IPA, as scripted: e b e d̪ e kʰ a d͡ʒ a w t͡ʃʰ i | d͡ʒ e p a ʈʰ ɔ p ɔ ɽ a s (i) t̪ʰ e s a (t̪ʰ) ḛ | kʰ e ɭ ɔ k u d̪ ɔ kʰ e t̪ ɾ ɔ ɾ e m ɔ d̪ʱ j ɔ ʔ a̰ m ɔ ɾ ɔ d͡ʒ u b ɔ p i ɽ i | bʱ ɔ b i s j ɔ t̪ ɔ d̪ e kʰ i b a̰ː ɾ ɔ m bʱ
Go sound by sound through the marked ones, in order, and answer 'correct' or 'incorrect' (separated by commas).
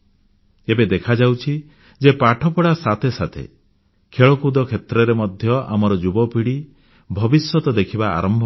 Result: incorrect, correct